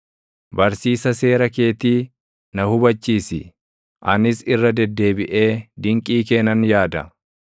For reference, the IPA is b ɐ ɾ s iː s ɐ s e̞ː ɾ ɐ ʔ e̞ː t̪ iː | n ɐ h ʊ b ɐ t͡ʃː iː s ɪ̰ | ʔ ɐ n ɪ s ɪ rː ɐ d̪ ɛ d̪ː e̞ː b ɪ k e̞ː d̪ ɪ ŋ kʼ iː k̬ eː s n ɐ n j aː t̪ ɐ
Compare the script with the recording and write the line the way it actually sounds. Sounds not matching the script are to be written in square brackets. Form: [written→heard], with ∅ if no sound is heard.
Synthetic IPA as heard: b ɐ ɾ s iː s ɐ s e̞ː ɾ ɐ [ʔ→k] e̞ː t̪ iː | n ɐ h ʊ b ɐ t͡ʃː iː s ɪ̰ | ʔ ɐ n ɪ s ɪ rː ɐ d̪ ɛ d̪ː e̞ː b ɪ [k→ʔ] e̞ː d̪ ɪ ŋ kʼ iː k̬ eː [s→∅] n ɐ n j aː [t̪→d̪] ɐ